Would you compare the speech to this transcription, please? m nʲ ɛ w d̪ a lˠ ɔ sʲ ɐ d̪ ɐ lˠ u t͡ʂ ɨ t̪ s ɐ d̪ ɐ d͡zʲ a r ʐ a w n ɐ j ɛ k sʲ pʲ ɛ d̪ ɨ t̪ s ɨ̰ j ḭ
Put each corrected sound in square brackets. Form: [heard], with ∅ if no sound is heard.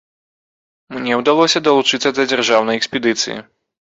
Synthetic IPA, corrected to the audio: m nʲ ɛ w d̪ a lˠ ɔ sʲ ɐ d̪ ɐ lˠ u t͡ʂ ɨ t̪ s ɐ d̪ ɐ d͡zʲ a r ʐ a w n ɐ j ɛ k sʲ pʲ ɛ d̪ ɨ t̪ s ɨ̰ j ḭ